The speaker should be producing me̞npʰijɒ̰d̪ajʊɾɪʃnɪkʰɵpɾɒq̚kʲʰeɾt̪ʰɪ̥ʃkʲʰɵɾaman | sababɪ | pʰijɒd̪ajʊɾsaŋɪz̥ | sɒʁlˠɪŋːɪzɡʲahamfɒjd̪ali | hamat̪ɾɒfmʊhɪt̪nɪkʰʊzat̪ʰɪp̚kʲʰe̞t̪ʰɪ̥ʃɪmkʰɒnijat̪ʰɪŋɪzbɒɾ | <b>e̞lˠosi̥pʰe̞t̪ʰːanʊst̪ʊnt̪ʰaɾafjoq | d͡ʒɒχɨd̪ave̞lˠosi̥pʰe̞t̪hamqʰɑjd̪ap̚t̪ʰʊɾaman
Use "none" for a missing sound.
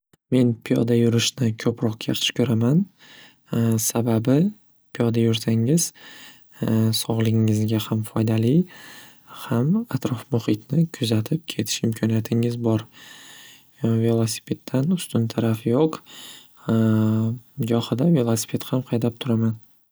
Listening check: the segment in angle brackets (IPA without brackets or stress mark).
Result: v